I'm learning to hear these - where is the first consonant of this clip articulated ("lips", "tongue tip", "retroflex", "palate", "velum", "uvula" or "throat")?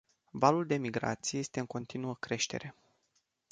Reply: lips